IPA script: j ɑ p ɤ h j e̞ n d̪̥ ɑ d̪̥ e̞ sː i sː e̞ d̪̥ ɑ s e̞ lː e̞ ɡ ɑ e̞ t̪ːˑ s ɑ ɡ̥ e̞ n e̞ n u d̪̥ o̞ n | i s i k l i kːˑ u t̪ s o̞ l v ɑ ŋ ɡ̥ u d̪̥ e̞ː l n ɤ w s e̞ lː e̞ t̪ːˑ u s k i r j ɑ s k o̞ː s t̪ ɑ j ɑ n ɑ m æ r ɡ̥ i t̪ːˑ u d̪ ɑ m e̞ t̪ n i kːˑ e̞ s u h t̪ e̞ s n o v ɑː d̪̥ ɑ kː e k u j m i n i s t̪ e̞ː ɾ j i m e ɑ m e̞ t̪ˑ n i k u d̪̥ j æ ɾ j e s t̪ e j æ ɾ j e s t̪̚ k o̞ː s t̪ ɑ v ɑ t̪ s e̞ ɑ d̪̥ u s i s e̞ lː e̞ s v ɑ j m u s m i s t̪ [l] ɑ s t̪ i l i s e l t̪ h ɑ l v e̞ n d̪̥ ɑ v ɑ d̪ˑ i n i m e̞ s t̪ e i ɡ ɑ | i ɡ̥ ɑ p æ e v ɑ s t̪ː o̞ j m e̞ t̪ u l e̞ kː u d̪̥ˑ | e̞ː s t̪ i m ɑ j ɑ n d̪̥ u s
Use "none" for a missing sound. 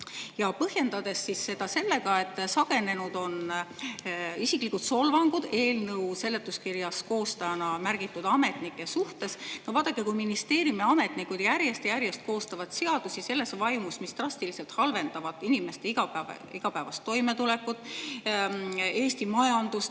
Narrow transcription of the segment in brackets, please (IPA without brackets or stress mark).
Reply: r